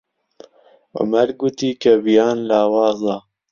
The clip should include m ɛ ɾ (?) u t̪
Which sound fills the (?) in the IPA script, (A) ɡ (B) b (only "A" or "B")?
A